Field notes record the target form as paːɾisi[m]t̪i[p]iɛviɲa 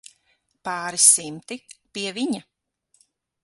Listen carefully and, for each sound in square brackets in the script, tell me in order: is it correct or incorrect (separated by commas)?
correct, correct